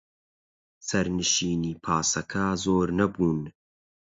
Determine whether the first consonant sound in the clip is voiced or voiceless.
voiceless